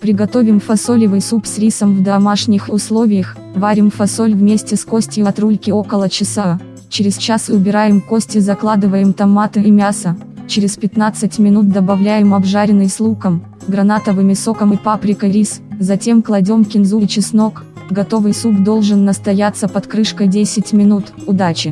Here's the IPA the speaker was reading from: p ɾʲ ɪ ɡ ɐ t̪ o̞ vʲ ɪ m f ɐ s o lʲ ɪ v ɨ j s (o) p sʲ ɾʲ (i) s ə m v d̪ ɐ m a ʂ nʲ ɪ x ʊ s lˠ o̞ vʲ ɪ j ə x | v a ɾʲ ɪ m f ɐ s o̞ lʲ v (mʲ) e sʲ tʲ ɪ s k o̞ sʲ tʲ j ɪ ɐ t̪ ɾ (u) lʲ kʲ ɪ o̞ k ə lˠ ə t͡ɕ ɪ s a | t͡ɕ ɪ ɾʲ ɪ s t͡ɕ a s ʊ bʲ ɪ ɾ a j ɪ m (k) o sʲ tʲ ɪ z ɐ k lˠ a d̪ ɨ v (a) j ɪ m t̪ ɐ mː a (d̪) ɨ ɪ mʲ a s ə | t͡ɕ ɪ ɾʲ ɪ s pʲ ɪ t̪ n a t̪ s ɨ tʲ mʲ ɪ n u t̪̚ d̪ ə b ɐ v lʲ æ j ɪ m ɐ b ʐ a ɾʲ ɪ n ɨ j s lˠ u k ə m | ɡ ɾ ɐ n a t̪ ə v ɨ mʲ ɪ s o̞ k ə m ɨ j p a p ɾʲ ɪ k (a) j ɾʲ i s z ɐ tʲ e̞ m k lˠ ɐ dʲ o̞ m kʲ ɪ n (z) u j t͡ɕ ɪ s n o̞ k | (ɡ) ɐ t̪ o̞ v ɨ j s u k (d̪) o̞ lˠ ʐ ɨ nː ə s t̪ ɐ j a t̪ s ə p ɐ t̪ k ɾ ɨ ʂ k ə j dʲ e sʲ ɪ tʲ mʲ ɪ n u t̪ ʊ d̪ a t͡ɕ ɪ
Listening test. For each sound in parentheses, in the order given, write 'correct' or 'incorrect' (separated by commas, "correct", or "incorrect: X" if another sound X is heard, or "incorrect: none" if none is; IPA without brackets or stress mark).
incorrect: u, correct, correct, correct, correct, incorrect: ə, incorrect: t̪, incorrect: ə, correct, correct, correct